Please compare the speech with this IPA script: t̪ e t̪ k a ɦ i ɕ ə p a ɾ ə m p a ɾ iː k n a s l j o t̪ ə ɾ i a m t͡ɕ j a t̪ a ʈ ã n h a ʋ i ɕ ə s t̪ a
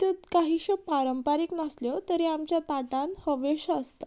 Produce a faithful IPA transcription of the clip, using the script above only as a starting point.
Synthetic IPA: t̪ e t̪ k a ɦ i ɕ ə p a ɾ ə m p a ɾ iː k n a s l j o t̪ ə ɾ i a m t͡ɕ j a t̪ a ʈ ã n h ə ʋ e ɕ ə s t̪ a